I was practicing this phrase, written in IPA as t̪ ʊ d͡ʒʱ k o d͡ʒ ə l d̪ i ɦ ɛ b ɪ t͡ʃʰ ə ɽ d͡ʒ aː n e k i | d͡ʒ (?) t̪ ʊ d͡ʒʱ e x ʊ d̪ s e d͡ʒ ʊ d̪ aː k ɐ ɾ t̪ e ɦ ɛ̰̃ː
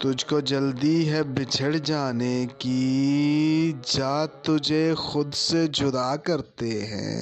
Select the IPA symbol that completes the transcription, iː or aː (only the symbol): aː